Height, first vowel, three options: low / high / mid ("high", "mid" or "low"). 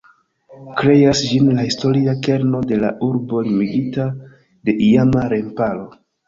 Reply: mid